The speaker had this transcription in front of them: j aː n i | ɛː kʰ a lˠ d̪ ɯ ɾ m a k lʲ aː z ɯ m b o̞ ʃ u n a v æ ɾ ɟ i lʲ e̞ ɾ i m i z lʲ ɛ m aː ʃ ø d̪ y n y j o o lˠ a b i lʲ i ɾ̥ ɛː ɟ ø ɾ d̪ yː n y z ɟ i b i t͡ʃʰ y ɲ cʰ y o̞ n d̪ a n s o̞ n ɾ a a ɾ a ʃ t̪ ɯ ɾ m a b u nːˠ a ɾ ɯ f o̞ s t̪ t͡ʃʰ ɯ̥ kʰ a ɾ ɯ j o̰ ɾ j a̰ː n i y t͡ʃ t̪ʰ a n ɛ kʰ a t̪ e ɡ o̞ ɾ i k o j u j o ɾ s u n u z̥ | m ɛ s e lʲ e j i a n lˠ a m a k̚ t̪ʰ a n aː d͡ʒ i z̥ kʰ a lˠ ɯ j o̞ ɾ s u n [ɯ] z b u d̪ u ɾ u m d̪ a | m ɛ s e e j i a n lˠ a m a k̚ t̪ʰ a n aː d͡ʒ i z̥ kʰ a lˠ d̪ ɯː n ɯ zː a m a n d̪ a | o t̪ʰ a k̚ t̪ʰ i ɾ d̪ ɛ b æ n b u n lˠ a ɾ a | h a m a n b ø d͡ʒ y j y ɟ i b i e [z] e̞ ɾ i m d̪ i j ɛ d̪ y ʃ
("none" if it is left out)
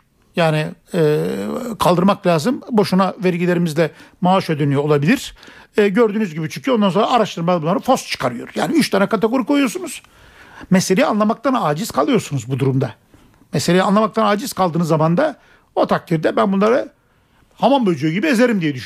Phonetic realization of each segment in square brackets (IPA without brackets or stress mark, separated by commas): u, z